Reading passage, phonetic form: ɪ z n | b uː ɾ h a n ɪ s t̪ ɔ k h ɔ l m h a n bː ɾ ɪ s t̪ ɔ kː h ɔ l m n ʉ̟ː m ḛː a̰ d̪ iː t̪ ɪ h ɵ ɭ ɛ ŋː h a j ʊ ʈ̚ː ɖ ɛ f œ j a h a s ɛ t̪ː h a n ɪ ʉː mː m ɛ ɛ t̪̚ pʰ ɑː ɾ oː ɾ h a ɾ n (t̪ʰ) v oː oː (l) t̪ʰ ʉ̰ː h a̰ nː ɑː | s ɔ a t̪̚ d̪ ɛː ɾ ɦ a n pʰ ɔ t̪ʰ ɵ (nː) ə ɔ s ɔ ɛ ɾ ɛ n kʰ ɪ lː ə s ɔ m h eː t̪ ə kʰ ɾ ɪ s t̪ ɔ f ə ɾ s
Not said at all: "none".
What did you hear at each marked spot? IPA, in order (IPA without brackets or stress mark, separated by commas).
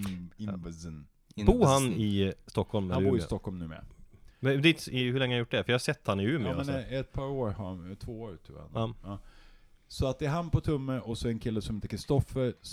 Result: t̪ʰ, ɾ, mː